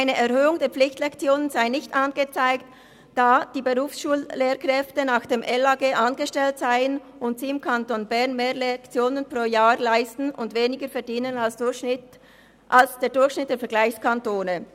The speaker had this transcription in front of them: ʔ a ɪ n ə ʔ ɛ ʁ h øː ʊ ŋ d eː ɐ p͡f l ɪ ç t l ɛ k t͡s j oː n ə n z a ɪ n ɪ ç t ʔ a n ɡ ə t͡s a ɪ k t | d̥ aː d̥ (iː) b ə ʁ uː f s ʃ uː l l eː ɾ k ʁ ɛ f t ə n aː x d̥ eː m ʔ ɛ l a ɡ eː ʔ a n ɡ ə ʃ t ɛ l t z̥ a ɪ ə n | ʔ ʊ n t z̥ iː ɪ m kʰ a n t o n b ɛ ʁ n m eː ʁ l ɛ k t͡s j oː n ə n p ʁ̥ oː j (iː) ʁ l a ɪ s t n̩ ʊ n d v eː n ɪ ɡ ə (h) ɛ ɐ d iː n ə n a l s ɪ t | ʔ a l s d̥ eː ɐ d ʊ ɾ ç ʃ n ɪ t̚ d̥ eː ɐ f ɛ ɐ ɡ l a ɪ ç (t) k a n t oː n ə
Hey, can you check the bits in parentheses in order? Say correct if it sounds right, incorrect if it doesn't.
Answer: correct, incorrect: aː, incorrect: f, incorrect: s

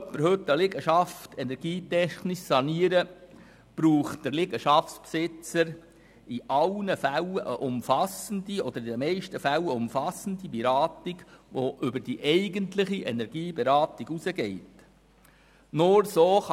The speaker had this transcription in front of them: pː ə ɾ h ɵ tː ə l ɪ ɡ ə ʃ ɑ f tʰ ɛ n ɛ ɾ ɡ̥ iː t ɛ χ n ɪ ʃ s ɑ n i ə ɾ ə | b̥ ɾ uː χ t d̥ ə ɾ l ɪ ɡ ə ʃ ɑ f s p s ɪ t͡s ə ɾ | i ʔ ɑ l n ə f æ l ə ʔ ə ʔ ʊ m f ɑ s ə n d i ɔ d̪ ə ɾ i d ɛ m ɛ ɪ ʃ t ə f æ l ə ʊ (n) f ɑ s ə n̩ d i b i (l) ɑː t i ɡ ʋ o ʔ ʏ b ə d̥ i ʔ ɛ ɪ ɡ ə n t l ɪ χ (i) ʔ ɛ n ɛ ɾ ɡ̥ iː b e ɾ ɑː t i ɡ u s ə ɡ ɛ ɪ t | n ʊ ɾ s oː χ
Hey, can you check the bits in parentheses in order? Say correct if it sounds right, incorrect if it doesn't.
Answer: incorrect: m, incorrect: ɾ, correct

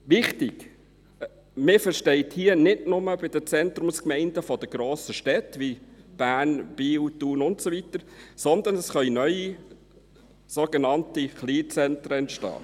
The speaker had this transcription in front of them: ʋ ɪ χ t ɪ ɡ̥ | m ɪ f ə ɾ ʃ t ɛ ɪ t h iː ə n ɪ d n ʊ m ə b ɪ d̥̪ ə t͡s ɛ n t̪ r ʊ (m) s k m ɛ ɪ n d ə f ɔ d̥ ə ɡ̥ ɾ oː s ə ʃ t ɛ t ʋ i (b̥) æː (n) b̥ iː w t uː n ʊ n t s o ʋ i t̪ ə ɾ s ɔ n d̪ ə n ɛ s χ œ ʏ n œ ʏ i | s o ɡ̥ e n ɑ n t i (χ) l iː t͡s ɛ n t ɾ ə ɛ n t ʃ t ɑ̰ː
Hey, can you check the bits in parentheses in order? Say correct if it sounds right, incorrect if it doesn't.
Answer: correct, correct, correct, correct

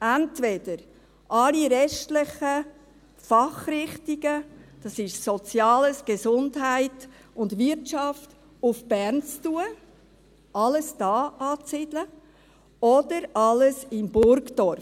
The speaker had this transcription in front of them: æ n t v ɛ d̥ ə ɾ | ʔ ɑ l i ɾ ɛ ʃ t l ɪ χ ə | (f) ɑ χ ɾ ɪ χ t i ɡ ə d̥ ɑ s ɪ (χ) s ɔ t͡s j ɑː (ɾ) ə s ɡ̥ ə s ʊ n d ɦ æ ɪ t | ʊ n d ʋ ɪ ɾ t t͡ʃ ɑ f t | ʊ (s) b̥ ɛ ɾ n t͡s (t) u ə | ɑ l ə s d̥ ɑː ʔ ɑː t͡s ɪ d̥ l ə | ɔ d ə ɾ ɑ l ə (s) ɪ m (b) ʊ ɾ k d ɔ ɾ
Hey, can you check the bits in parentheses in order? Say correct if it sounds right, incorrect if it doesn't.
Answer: correct, incorrect: ʃ, incorrect: l, incorrect: f, correct, correct, correct

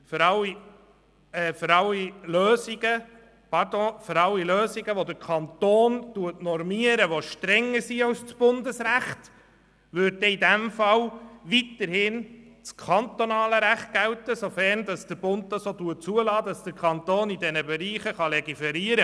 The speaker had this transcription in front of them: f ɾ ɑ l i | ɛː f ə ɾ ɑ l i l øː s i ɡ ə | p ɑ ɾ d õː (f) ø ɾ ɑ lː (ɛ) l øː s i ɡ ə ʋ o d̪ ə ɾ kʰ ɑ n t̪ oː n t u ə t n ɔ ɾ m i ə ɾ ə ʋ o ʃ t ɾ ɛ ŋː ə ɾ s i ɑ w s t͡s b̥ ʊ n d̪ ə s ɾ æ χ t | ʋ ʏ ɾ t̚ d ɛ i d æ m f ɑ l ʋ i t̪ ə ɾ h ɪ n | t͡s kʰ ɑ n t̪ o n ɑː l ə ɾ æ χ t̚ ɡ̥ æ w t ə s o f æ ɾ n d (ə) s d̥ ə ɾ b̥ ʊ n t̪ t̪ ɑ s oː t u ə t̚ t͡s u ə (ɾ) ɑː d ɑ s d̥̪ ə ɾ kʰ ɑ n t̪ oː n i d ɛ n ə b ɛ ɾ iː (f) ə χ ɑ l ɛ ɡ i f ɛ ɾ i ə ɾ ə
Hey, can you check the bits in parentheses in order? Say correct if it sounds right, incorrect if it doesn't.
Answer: correct, incorrect: i, incorrect: ɑ, incorrect: l, incorrect: χ

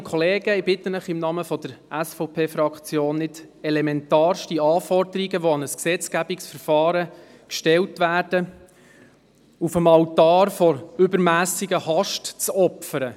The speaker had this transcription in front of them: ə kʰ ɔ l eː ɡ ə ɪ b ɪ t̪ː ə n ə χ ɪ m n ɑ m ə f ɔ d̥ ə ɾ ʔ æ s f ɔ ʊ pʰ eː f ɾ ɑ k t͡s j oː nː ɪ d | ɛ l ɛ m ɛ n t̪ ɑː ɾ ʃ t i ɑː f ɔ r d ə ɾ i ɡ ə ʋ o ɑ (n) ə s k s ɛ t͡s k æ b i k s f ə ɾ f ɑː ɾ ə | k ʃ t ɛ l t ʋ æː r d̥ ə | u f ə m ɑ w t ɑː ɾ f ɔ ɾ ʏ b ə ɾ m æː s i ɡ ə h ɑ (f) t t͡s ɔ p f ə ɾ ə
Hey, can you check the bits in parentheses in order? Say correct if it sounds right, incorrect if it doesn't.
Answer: correct, incorrect: ʃ

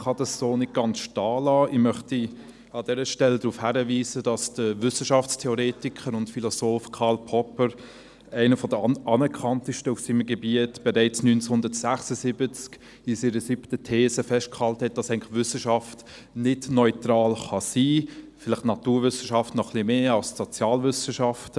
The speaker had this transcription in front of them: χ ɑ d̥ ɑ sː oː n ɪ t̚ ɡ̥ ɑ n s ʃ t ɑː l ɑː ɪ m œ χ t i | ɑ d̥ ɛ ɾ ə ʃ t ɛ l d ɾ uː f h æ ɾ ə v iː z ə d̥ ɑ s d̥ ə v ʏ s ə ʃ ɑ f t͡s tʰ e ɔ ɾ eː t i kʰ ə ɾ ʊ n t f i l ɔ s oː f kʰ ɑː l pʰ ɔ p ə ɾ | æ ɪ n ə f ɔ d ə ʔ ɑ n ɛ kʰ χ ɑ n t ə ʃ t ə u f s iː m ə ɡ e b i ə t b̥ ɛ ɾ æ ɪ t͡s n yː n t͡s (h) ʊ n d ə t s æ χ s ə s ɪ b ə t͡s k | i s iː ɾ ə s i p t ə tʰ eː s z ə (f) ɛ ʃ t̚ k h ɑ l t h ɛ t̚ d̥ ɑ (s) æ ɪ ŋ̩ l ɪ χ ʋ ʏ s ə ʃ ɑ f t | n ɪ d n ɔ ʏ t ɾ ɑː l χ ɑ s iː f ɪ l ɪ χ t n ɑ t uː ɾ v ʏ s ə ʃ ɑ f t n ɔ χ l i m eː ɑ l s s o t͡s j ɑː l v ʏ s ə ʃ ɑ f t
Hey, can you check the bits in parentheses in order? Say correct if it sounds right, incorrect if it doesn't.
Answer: correct, correct, correct

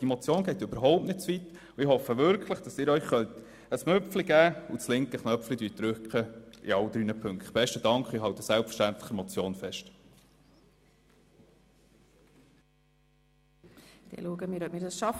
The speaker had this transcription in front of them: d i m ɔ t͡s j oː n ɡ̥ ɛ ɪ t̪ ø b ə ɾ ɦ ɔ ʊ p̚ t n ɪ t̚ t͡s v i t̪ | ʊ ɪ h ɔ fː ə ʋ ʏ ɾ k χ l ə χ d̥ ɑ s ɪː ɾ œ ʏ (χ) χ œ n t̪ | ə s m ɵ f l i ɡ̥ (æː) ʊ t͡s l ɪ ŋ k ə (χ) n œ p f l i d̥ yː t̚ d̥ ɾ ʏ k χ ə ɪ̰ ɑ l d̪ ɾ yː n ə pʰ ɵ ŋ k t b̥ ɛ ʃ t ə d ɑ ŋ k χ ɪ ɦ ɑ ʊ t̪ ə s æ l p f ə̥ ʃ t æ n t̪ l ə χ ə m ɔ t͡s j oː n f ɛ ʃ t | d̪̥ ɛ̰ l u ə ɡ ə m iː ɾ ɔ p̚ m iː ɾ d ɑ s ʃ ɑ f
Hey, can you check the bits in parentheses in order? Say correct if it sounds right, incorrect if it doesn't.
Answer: correct, correct, correct

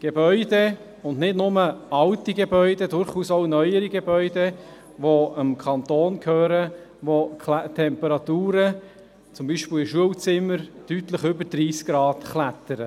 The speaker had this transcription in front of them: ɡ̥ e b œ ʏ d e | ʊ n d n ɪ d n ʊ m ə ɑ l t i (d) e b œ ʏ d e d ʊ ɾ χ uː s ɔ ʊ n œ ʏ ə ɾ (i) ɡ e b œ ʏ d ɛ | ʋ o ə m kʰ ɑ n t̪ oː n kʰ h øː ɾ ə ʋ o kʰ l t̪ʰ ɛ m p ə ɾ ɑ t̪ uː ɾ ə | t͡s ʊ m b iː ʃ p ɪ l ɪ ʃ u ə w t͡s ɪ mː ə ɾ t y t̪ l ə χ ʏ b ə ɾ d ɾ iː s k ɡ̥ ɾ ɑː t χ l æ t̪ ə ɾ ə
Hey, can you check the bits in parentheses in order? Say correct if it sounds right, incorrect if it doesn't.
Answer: incorrect: ɡ, correct

